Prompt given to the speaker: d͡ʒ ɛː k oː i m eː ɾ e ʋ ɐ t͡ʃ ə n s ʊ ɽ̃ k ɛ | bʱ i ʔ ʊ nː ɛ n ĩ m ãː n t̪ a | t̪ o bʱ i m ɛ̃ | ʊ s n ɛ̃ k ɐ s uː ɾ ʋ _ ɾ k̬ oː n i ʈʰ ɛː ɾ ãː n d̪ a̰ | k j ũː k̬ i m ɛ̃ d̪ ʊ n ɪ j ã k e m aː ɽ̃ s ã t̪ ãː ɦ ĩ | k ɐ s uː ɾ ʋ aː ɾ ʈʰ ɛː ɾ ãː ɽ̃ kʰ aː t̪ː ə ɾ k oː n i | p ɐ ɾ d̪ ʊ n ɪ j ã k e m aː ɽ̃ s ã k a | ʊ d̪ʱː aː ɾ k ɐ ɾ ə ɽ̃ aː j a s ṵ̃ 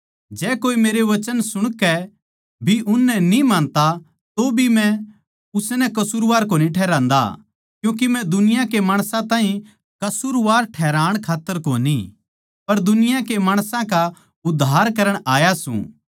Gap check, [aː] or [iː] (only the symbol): aː